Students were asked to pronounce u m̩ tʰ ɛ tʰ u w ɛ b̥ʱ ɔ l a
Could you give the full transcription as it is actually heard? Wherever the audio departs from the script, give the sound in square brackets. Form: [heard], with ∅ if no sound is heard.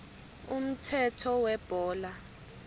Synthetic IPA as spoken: u m̩ tʰ ɛ tʰ [ɔ] w ɛ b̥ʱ [ɔː] l a